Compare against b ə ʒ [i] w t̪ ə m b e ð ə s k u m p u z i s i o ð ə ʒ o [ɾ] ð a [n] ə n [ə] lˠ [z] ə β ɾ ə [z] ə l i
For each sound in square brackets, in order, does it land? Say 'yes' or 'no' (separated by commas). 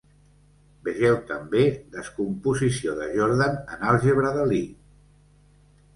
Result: no, yes, yes, no, no, no